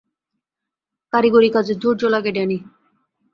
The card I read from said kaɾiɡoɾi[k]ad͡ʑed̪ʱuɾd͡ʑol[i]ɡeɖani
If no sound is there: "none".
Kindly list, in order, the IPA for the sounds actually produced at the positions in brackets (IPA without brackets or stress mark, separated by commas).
k, a